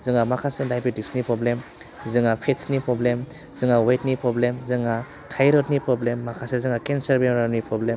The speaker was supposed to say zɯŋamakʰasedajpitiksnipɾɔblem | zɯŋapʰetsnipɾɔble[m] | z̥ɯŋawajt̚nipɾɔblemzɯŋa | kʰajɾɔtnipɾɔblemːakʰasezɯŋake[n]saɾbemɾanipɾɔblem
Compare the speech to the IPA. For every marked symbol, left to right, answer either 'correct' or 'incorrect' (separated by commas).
correct, correct